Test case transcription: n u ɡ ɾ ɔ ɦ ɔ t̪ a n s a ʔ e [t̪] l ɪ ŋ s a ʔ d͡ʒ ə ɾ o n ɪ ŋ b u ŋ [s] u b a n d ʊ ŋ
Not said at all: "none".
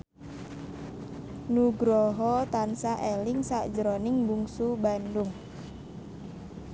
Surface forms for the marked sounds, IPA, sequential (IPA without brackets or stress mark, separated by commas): none, s